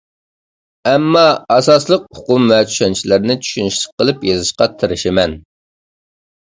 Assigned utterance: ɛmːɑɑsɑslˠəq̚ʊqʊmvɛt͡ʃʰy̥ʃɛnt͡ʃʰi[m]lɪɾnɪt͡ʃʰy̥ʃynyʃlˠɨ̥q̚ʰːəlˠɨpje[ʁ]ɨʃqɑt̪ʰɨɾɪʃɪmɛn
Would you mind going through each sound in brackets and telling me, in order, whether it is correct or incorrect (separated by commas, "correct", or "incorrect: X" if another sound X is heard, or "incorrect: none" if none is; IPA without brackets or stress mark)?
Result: incorrect: none, incorrect: z